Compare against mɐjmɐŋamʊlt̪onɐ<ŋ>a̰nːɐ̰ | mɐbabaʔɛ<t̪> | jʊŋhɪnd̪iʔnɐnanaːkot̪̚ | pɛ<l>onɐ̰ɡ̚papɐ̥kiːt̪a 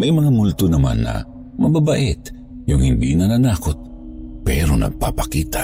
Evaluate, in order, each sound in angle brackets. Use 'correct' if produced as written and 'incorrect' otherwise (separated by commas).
incorrect, correct, incorrect